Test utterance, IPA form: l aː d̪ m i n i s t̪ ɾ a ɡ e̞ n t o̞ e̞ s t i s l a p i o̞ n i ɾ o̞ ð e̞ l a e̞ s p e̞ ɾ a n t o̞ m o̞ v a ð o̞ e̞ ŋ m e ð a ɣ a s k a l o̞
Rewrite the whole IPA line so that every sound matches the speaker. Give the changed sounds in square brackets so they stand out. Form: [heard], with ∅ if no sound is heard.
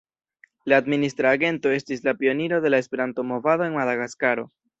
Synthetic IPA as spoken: l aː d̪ m i n i s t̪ ɾ a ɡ e̞ n t o̞ e̞ s t i s l a p i o̞ n i ɾ o̞ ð e̞ l a e̞ s p e̞ ɾ a n t o̞ m o̞ v a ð o̞ e̞ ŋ m [a] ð a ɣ a s k a [ɾ] o̞